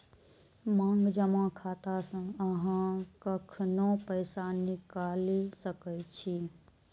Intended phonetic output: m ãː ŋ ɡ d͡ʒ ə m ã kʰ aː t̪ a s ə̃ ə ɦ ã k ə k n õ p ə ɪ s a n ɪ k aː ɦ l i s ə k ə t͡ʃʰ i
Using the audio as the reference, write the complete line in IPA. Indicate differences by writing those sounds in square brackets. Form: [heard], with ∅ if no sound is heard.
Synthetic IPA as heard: m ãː ŋ ɡ d͡ʒ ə m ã kʰ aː t̪ a s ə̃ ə ɦ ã k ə [kʰ] n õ p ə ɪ s a n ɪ k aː [∅] l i s ə k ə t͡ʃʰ i